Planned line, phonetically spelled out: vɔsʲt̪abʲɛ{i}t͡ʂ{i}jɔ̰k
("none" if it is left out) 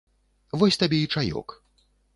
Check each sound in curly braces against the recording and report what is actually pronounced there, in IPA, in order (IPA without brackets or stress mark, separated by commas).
i, a